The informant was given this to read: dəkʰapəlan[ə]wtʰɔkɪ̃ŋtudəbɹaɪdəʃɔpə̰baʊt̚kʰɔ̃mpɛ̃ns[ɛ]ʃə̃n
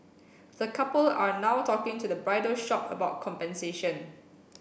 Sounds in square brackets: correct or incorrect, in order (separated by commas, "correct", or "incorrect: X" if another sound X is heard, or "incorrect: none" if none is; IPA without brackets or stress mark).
incorrect: a, incorrect: e